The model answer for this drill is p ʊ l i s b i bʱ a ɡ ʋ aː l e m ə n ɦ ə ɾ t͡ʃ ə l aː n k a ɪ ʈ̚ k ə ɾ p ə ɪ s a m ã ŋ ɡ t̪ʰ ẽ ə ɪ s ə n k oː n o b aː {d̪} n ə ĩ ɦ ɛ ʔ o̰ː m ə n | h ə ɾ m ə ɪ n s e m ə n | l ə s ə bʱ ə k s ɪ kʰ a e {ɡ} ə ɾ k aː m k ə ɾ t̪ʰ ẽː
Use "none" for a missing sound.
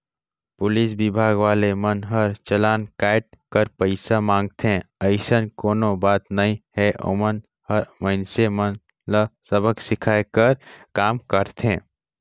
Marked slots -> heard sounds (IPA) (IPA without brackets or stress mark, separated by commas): t̪, k